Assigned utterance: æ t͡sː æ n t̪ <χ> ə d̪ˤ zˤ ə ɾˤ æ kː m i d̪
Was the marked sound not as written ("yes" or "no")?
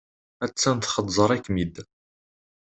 no